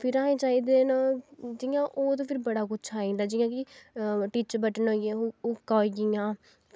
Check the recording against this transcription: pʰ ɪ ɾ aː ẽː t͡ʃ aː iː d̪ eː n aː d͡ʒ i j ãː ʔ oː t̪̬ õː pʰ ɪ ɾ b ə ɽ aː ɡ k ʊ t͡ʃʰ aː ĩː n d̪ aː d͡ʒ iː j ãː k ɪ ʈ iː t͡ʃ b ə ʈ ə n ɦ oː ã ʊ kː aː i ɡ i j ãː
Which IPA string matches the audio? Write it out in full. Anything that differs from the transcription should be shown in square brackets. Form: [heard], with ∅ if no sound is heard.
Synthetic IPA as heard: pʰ ɪ ɾ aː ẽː t͡ʃ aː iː d̪ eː n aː d͡ʒ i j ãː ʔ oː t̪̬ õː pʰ ɪ ɾ b ə ɽ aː [∅] k ʊ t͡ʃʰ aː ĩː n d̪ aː d͡ʒ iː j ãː k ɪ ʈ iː t͡ʃ b ə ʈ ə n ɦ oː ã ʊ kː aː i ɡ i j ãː

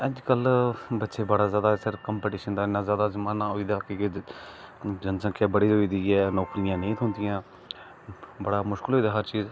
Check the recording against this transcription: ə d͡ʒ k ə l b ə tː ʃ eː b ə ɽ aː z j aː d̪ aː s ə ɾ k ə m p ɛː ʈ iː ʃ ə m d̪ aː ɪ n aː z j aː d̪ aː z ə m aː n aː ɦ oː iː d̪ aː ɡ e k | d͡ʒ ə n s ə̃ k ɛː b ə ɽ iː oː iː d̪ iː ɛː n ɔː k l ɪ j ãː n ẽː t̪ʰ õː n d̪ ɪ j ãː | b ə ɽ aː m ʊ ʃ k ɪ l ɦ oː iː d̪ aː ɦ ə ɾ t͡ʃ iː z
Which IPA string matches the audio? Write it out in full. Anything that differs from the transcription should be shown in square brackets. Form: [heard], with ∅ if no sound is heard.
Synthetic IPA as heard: ə d͡ʒ k ə l b ə tː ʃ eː b ə ɽ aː z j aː d̪ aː s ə ɾ k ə m p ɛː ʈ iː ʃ ə [n] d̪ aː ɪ n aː z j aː d̪ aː z ə m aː n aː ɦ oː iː d̪ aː [k] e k | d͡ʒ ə n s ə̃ k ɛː b ə ɽ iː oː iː d̪ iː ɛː n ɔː k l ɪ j ãː n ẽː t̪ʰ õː n d̪ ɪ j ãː | b ə ɽ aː m ʊ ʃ k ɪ l ɦ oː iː d̪ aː ɦ ə ɾ t͡ʃ iː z

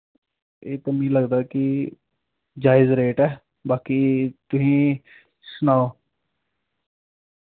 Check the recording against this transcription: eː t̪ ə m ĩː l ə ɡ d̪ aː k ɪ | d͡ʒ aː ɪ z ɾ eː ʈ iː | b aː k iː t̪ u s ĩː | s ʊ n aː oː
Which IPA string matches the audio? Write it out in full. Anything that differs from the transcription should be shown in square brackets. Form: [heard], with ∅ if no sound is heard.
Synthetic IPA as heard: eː t̪ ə m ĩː l ə ɡ d̪ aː k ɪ | d͡ʒ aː ɪ z ɾ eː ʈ [ɛː] | b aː k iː t̪ [ʊ] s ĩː | s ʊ n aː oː

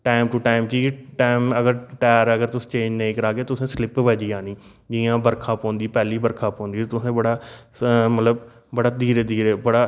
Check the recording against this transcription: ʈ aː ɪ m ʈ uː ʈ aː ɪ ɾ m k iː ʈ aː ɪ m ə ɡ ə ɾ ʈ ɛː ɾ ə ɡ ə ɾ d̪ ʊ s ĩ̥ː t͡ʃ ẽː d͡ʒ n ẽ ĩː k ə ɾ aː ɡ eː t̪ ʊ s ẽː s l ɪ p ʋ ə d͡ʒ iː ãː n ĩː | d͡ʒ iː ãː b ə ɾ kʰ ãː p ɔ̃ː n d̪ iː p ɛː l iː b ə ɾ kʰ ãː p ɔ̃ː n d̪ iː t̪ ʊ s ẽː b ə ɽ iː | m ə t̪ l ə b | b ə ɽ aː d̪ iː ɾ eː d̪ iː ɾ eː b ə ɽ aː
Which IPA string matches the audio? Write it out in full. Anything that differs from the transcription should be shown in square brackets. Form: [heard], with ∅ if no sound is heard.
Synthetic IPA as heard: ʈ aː ɪ m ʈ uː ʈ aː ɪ [∅] m k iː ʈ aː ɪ m ə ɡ ə ɾ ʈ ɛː ɾ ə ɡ ə ɾ [t̪] ʊ s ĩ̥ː t͡ʃ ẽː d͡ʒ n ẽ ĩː k ə ɾ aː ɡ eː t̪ ʊ s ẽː s l ɪ p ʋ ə d͡ʒ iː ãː n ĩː | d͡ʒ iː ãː b ə ɾ kʰ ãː p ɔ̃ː n d̪ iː p ɛː l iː b ə ɾ kʰ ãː p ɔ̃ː n d̪ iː t̪ ʊ s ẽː b ə ɽ [aː] | m ə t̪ l ə b | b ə ɽ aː d̪ iː ɾ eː d̪ iː ɾ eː b ə ɽ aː

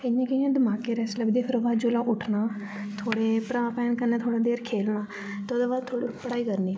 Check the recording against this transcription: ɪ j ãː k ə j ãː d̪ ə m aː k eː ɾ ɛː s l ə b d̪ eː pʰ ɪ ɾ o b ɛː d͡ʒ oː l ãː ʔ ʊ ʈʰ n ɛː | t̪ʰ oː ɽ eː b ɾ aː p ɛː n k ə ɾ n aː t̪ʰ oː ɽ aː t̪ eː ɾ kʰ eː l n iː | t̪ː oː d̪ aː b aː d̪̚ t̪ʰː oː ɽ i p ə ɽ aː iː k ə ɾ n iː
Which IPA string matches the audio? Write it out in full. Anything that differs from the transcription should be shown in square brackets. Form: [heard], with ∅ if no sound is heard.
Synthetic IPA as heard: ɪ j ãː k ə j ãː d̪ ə m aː k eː ɾ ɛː s l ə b d̪ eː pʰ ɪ ɾ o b [aː] d͡ʒ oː l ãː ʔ ʊ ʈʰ n [aː] | t̪ʰ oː ɽ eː [p] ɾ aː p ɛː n k ə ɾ n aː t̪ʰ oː ɽ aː [d̪] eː ɾ kʰ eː l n [aː] | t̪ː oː d̪ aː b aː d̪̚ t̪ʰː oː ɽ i p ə ɽ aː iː k ə ɾ n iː

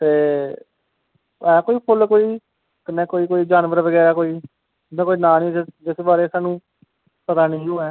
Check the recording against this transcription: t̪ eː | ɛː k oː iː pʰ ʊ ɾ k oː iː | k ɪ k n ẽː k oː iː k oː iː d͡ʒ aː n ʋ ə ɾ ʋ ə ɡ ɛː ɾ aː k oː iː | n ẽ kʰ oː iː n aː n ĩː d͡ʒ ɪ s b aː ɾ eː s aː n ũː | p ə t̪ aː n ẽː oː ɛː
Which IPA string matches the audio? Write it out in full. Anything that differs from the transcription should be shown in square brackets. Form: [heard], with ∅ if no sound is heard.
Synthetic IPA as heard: t̪ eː | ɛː k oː iː pʰ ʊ [l] k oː iː | k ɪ [∅] n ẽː k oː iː k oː iː d͡ʒ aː n ʋ ə ɾ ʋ ə ɡ ɛː ɾ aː k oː iː | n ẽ [k] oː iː n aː n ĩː d͡ʒ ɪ s b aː ɾ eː s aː n ũː | p ə t̪ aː n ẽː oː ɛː

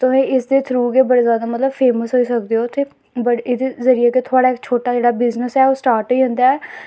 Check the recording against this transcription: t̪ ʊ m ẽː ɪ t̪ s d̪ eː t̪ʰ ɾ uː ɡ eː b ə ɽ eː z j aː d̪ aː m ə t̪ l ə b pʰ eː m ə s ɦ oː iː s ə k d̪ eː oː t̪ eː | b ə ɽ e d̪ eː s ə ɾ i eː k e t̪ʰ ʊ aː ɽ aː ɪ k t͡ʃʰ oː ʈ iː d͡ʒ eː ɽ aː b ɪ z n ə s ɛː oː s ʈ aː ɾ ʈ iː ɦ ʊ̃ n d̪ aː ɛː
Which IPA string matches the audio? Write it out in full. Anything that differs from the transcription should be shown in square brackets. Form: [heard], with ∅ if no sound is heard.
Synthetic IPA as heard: t̪ ʊ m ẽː ɪ [∅] s d̪ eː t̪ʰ ɾ uː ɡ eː b ə ɽ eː z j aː d̪ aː m ə t̪ l ə b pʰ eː m ə s ɦ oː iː s ə k d̪ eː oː t̪ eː | b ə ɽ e d̪ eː [z] ə ɾ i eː k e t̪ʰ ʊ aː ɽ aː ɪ k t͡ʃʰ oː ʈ [aː] d͡ʒ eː ɽ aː b ɪ z n ə s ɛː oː s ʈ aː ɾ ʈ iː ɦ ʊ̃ n d̪ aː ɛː

